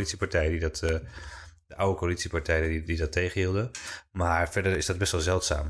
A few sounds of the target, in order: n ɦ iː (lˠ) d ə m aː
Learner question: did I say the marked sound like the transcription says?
yes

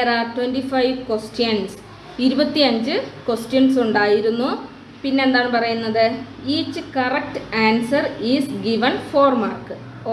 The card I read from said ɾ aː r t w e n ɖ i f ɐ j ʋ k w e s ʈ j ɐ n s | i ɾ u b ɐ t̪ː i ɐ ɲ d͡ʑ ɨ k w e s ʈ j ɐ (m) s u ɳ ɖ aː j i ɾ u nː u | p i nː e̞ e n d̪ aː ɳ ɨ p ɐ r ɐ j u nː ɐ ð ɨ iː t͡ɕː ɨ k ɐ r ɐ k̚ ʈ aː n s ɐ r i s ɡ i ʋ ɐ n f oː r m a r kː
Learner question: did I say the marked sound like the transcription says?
no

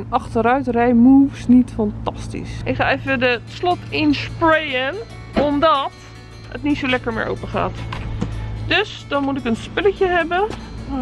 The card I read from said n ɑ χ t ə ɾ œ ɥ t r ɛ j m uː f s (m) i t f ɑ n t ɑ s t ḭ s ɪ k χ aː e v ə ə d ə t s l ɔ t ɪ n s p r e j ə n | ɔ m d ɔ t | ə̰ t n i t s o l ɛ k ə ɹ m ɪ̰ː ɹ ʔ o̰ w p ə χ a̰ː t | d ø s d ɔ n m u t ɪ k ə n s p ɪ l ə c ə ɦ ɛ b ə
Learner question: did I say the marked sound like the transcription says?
no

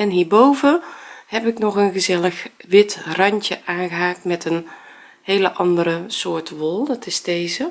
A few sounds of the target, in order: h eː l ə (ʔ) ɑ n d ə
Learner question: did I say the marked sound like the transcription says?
yes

